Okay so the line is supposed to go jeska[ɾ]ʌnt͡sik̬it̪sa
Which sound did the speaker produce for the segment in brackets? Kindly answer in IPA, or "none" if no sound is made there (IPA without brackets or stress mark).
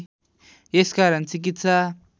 ɾ